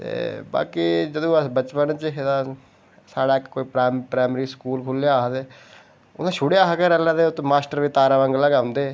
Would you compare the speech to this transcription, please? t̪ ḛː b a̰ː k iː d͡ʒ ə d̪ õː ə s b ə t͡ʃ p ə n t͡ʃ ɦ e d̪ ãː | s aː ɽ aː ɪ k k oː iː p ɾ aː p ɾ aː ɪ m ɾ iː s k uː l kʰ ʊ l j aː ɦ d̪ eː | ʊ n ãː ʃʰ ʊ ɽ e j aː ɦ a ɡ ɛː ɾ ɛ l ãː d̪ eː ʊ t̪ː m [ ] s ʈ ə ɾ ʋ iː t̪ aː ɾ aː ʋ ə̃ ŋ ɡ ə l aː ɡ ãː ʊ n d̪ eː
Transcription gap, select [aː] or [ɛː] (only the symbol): aː